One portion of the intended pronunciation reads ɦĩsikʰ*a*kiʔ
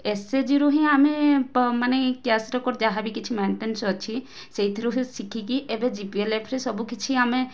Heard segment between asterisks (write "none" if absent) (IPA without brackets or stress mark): i